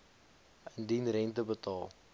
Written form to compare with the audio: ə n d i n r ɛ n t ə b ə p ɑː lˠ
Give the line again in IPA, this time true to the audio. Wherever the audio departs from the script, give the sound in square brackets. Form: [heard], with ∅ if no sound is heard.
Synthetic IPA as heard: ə n d i n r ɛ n t ə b ə [t] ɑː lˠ